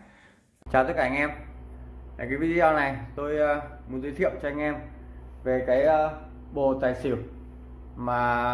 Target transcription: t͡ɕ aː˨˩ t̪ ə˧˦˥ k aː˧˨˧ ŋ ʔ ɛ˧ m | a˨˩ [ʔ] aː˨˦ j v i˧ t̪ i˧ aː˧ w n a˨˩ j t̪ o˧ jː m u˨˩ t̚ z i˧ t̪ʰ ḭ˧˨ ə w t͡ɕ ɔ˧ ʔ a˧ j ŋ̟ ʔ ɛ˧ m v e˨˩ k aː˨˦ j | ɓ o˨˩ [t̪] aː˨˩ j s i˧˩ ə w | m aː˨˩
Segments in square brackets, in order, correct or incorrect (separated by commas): incorrect, correct